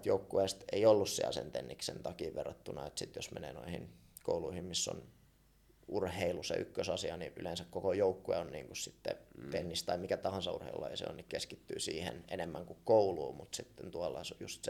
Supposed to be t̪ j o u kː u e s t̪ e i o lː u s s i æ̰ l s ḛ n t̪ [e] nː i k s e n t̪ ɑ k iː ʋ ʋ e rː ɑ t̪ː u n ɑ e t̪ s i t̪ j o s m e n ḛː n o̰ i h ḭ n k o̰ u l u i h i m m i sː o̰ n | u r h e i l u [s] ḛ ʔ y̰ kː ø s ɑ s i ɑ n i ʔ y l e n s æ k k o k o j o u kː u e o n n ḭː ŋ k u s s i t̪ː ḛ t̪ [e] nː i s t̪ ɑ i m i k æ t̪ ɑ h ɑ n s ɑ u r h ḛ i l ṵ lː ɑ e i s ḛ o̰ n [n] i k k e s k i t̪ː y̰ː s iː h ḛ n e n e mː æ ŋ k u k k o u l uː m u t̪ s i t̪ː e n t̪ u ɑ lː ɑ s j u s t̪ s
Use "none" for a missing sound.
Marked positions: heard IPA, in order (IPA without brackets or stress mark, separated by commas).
e, s, e, n